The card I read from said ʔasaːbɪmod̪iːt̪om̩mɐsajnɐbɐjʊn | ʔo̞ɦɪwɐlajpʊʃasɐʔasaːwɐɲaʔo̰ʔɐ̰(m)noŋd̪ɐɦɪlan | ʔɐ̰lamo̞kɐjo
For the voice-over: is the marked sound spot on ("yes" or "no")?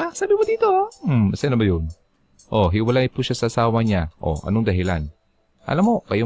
no